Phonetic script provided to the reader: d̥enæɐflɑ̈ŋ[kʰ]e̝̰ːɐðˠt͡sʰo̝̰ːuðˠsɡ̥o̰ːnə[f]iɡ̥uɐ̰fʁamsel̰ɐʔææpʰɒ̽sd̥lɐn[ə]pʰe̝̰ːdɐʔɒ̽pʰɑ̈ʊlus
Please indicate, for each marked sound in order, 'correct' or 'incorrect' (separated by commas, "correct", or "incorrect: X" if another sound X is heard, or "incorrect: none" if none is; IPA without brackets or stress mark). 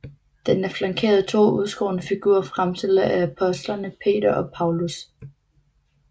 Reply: correct, correct, correct